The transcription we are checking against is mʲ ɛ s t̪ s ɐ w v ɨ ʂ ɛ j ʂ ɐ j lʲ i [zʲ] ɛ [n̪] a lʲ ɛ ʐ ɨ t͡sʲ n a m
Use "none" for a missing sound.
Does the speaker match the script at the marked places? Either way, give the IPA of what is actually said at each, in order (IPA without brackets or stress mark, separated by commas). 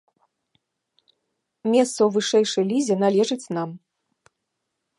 zʲ, n̪